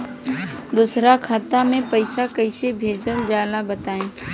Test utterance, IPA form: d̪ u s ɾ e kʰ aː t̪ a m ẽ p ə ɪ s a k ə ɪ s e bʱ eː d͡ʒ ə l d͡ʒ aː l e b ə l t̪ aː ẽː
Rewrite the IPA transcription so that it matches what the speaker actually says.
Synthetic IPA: d̪ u s ɾ a kʰ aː t̪ a m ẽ p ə ɪ s a k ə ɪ s e bʱ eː d͡ʒ ə l d͡ʒ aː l a b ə t̪ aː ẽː